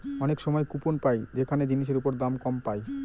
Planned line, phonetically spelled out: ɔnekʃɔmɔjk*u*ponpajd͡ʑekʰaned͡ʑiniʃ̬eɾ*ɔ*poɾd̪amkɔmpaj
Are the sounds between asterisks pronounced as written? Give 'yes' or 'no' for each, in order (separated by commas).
yes, no